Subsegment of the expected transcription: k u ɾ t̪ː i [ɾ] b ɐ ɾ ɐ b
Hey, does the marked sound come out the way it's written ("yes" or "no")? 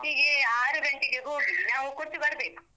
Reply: no